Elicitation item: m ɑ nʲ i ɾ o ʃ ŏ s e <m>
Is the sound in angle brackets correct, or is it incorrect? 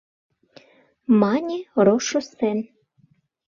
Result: incorrect